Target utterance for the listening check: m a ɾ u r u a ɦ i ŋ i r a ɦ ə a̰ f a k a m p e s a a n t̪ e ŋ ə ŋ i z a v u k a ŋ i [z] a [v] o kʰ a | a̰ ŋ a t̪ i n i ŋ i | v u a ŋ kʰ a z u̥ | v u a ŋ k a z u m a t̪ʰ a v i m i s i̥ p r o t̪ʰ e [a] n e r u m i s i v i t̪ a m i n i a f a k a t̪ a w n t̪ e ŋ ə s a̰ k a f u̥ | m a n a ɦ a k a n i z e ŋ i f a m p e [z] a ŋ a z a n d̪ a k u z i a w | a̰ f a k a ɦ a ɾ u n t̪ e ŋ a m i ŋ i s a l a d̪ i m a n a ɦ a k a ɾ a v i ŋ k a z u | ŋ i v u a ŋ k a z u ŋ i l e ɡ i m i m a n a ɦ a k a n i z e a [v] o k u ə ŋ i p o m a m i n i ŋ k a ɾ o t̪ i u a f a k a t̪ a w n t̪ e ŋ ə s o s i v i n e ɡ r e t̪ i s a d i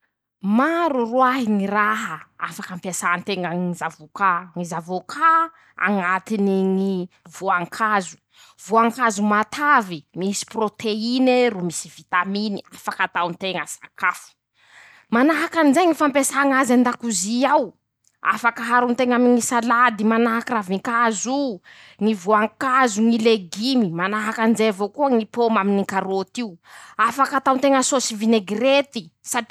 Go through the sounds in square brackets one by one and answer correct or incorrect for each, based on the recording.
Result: correct, correct, incorrect: i, incorrect: s, correct

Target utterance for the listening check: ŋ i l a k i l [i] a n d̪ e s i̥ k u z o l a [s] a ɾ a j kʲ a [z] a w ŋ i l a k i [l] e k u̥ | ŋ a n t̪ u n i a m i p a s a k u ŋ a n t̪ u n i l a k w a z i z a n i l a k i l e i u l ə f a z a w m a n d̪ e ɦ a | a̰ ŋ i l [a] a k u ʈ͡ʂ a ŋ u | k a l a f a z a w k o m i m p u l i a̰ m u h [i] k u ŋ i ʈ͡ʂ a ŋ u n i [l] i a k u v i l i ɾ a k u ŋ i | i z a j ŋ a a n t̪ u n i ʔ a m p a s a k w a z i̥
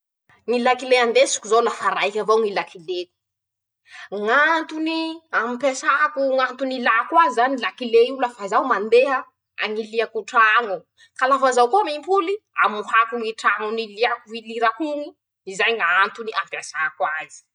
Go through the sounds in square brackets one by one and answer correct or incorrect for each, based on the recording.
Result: incorrect: e, incorrect: f, incorrect: v, correct, incorrect: i, incorrect: a, correct

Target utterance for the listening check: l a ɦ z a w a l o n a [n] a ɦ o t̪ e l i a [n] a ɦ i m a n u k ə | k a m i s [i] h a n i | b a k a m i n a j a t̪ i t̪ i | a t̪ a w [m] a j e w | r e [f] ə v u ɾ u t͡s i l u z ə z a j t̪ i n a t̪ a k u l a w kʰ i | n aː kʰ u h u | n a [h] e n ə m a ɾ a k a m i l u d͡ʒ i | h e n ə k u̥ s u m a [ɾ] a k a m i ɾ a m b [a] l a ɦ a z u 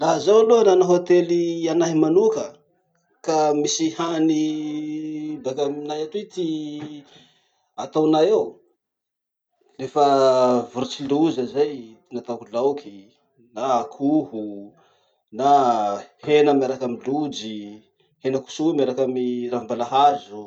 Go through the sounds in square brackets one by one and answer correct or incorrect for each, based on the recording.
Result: correct, correct, correct, incorrect: n, correct, correct, correct, correct

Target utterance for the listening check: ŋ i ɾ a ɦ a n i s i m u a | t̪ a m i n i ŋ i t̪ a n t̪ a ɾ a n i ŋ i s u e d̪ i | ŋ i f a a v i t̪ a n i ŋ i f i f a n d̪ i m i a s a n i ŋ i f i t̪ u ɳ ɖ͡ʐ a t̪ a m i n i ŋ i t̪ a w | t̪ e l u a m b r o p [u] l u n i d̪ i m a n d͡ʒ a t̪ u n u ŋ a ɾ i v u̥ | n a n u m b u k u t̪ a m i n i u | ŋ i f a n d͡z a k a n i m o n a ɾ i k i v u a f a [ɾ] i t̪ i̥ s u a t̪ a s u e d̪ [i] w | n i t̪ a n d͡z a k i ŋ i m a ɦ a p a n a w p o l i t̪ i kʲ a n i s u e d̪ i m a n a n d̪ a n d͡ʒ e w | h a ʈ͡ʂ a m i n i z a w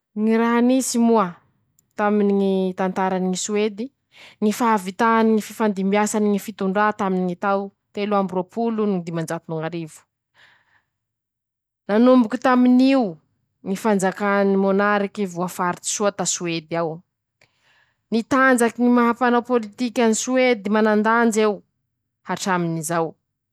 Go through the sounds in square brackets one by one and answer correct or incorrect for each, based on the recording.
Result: correct, correct, incorrect: a

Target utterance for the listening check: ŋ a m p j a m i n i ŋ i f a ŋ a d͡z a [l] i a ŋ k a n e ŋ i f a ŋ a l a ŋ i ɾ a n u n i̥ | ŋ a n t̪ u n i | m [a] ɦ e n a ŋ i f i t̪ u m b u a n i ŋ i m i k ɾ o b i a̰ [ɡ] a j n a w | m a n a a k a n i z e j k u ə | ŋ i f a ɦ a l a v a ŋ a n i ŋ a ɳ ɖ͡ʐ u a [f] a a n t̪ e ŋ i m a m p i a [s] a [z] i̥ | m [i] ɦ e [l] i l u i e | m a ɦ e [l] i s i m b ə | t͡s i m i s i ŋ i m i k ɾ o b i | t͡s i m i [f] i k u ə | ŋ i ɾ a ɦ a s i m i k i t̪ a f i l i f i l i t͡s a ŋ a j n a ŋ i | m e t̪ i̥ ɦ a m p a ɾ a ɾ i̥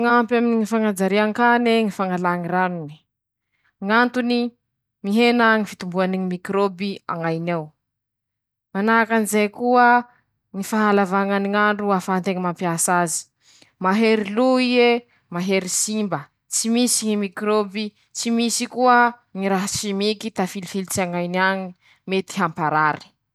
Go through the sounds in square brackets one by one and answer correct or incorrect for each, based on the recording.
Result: incorrect: ɾ, incorrect: i, incorrect: ŋ, correct, correct, correct, incorrect: a, incorrect: ɾ, incorrect: ɾ, incorrect: s

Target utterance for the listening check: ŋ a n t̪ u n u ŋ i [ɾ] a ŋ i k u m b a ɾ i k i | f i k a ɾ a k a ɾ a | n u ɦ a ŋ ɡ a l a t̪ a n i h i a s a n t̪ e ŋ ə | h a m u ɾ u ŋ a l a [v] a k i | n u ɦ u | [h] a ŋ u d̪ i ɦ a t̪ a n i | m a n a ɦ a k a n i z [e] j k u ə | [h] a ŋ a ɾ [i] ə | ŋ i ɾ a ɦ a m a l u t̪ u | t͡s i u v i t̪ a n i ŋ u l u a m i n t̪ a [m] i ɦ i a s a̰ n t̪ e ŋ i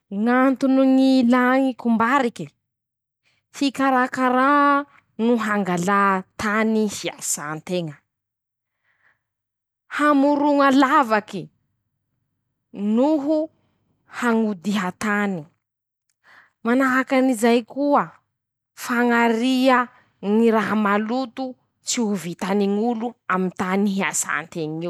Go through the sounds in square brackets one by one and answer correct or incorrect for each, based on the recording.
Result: incorrect: l, correct, correct, incorrect: a, incorrect: f, correct, incorrect: n

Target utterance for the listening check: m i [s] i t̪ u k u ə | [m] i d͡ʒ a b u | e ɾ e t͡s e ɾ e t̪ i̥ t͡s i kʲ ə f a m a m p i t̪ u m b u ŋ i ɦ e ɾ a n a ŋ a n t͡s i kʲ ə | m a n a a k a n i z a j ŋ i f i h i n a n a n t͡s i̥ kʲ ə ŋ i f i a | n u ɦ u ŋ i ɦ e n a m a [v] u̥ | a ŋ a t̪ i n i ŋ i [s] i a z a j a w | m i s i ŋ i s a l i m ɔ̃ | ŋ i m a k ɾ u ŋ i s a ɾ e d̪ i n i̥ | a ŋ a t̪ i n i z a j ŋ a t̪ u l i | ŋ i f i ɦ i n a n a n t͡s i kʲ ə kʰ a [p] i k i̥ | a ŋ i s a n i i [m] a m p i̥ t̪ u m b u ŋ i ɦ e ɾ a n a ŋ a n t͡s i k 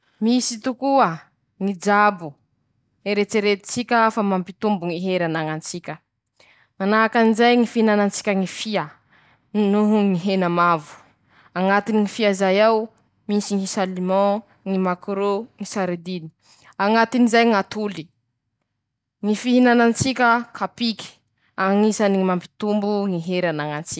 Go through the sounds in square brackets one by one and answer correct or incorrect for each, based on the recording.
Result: correct, incorrect: ŋ, correct, incorrect: f, correct, correct

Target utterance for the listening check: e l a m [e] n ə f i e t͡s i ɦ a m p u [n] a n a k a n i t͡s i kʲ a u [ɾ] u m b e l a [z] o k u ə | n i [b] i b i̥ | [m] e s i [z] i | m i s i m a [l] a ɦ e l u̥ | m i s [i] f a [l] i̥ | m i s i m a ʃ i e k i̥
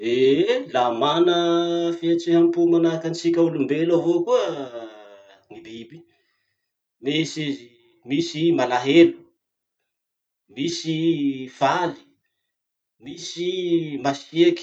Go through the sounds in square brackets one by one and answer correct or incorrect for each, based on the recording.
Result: incorrect: a, incorrect: m, incorrect: l, incorrect: v, correct, correct, correct, correct, correct, correct

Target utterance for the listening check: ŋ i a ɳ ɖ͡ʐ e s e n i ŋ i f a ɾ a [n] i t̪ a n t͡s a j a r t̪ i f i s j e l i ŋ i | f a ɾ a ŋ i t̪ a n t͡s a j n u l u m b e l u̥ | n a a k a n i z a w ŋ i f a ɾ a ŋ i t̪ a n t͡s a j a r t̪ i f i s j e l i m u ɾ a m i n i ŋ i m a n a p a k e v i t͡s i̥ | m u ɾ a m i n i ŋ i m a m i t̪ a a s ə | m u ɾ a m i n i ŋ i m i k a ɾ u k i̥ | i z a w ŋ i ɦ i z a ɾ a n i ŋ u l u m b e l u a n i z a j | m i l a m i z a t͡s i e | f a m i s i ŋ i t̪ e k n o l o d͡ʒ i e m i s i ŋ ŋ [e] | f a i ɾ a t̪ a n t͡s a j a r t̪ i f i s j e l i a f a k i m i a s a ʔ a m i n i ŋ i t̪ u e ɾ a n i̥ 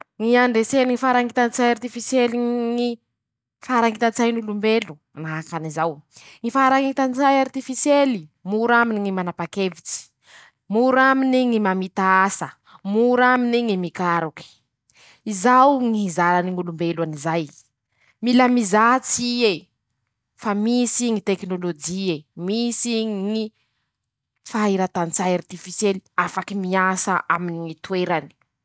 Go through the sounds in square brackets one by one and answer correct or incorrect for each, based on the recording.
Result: incorrect: ŋ, incorrect: i

